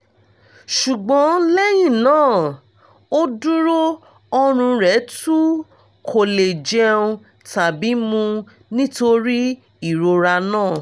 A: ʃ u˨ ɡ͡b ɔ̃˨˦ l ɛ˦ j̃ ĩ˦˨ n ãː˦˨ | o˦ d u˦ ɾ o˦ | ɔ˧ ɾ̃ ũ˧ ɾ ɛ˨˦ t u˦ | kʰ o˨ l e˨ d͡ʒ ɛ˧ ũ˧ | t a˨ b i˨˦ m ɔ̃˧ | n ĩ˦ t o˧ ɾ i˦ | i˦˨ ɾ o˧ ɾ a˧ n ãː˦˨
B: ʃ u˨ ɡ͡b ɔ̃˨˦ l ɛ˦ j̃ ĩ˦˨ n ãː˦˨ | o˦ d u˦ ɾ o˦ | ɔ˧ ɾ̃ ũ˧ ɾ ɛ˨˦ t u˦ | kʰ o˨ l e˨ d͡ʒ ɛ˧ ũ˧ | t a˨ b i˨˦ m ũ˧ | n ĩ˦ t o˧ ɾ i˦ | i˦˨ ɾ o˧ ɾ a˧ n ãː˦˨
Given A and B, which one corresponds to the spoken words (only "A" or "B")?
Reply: B